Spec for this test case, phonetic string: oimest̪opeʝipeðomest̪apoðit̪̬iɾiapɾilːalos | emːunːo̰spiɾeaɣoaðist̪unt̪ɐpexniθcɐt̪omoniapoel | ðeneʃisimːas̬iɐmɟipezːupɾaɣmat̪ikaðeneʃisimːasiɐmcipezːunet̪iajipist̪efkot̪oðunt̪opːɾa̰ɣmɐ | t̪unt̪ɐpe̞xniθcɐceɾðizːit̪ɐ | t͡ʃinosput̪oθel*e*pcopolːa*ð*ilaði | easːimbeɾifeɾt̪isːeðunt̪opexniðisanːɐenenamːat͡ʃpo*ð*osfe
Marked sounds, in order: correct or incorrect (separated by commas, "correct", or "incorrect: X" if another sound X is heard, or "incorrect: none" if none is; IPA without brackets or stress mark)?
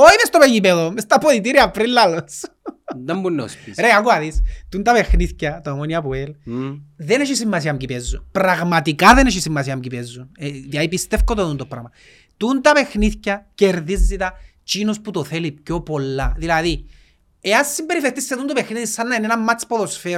incorrect: i, correct, correct